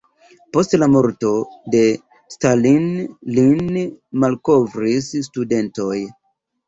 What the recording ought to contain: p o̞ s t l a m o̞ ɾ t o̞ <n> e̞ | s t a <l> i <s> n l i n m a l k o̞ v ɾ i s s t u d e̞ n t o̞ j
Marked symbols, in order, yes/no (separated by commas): no, yes, no